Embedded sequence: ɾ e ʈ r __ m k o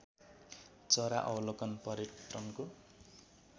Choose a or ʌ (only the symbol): ʌ